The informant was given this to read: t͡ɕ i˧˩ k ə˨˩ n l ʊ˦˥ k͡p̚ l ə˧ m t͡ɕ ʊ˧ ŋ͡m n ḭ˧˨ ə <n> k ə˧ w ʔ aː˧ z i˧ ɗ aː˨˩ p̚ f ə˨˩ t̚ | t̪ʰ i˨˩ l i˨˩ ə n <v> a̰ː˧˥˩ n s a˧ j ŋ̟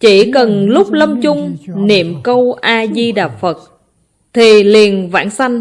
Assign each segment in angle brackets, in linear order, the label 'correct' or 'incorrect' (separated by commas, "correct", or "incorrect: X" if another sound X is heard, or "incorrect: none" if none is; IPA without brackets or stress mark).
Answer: incorrect: m, correct